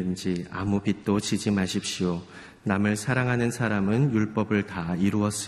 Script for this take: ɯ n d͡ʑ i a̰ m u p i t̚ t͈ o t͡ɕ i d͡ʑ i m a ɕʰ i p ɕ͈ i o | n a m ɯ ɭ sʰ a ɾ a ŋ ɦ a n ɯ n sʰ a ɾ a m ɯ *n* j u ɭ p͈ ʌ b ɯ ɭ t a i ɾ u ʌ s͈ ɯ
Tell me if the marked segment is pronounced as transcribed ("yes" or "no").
yes